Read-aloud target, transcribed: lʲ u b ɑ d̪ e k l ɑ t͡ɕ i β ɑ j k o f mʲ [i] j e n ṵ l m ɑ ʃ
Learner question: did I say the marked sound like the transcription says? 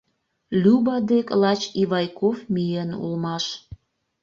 yes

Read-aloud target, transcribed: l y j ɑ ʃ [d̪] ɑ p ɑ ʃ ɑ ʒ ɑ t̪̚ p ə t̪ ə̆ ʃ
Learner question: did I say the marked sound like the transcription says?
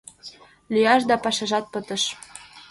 yes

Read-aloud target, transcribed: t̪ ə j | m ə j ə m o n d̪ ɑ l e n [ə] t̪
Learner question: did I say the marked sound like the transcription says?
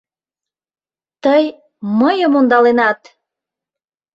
no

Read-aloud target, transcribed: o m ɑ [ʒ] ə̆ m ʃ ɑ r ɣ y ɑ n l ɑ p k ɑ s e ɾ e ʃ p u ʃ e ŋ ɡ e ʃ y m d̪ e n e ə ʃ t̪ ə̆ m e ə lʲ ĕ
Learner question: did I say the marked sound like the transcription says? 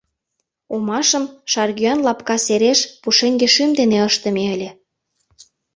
no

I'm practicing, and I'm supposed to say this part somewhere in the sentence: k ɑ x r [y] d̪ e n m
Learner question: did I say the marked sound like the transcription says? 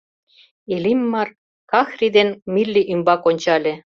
no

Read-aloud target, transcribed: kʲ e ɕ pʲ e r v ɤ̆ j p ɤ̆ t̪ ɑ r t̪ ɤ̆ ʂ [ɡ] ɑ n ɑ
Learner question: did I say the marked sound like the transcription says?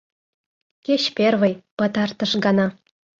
yes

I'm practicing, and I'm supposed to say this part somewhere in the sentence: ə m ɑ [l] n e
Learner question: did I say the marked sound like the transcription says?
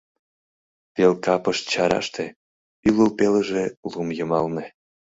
yes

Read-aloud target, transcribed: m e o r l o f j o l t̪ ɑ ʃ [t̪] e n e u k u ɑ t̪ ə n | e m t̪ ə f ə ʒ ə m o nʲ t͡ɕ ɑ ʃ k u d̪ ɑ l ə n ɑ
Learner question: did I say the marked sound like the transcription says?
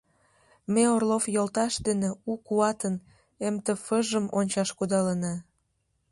no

